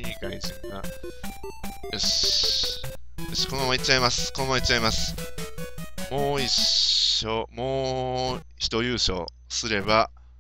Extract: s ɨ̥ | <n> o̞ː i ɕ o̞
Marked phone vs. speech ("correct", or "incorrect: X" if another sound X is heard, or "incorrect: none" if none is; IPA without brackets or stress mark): incorrect: m